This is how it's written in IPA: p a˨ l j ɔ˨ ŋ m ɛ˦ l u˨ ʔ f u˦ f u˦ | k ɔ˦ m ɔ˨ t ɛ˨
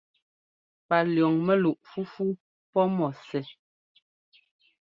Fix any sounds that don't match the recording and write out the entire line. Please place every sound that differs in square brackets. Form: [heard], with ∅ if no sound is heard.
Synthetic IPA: p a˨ l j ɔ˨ ŋ m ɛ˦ l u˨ ʔ f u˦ f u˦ | [p] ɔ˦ m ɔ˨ [s] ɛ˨